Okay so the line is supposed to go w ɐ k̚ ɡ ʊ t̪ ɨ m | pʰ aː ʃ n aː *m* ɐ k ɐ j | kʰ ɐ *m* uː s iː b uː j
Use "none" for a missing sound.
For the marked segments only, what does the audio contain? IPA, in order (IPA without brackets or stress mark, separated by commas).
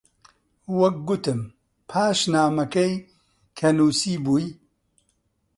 m, n